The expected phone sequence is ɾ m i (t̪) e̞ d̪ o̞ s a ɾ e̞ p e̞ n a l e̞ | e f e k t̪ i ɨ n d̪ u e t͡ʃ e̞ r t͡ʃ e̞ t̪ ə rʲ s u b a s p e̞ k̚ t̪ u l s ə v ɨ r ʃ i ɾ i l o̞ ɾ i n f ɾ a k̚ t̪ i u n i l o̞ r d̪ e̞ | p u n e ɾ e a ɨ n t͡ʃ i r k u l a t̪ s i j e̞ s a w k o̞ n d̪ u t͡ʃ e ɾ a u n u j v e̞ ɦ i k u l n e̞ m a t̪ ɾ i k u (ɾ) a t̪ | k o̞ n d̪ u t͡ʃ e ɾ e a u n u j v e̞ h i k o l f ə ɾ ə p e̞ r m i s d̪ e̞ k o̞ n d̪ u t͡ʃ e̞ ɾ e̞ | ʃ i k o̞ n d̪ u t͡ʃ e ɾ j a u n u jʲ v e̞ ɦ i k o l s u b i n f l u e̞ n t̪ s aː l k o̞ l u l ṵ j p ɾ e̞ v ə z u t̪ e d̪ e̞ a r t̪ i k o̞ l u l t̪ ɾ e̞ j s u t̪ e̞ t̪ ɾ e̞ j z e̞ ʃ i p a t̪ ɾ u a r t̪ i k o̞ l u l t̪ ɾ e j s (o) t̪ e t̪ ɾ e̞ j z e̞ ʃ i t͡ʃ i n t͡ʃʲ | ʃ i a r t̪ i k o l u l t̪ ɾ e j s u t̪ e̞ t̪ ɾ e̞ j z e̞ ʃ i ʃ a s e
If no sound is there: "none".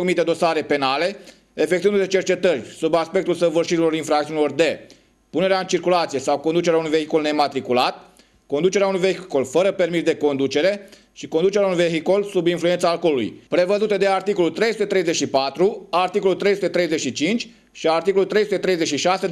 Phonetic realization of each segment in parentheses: t̪, l, u

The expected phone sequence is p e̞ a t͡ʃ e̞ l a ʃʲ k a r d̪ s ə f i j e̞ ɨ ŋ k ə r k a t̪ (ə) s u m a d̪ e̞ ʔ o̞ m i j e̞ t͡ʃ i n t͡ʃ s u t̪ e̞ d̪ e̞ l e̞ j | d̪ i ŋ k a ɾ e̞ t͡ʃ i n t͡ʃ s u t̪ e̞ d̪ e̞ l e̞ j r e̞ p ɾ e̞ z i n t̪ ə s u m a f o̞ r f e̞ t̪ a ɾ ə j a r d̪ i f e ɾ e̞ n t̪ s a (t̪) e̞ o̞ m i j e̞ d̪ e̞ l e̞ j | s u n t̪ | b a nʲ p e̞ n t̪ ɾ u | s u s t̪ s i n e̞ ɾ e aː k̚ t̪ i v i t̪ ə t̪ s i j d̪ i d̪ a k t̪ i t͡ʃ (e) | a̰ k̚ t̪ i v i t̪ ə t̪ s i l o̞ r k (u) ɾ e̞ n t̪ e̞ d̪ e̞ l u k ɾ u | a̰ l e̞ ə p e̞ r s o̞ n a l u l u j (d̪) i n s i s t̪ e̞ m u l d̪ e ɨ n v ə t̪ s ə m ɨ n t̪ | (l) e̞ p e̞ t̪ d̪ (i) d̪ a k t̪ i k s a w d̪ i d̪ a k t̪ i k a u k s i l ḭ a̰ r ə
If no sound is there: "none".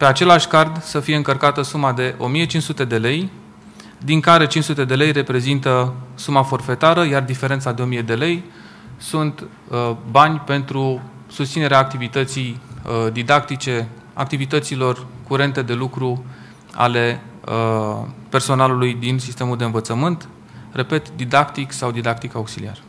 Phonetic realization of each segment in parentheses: ə, d̪, e, u, d̪, r, i

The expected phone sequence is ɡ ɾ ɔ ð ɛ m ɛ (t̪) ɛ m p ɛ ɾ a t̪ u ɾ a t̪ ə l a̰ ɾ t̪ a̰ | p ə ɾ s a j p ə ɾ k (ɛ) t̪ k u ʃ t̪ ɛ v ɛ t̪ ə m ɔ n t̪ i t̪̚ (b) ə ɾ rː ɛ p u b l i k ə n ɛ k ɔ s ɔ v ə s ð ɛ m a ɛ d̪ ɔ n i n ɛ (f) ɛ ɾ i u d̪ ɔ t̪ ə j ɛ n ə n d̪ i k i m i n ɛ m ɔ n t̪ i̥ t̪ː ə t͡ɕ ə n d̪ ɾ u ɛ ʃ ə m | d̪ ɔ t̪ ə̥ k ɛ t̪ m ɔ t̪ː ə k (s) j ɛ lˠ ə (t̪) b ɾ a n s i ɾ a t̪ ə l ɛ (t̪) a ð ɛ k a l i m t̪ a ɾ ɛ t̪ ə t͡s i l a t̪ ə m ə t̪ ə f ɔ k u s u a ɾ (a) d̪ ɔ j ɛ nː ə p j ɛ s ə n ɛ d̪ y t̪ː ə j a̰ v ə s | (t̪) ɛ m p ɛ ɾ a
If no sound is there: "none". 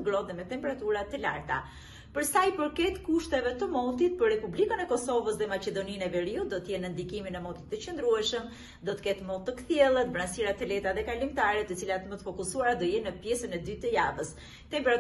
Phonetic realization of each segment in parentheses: t̪, ɛ, p, v, θ, t̪, t̪, a, t̪

